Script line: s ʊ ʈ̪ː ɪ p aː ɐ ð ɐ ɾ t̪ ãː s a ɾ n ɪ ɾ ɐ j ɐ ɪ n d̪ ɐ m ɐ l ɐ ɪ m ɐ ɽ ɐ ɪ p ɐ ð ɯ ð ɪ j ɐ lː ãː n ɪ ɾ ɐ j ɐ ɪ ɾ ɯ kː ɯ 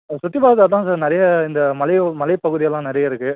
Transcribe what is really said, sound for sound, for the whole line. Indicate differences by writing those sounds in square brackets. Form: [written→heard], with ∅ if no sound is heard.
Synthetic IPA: s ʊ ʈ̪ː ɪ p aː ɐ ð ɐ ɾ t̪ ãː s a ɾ n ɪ ɾ ɐ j ɐ ɪ n d̪ ɐ m ɐ l ɐ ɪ m ɐ [ɽ→l] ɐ ɪ p ɐ [ð→ɣ] ɯ ð ɪ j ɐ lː ãː n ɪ ɾ ɐ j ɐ ɪ ɾ ɯ kː ɯ